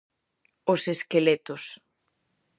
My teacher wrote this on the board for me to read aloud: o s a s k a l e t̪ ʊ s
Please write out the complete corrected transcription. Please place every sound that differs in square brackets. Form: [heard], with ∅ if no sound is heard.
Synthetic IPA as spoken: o s [e] s k [e] l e t̪ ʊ s